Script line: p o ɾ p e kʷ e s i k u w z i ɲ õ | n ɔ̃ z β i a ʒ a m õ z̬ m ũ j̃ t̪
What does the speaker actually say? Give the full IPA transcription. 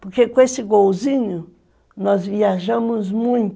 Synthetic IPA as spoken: p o ɾ k e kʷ e s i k o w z i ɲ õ | n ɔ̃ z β i a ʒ a m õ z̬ m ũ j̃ t̪